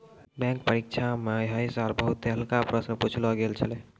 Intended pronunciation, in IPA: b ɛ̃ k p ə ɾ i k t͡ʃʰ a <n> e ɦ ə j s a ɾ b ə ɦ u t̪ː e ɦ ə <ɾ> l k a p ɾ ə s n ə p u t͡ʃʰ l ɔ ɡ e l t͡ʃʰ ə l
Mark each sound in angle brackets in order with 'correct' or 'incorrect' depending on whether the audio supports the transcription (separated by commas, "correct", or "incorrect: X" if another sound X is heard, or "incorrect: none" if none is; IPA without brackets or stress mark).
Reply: incorrect: m, incorrect: none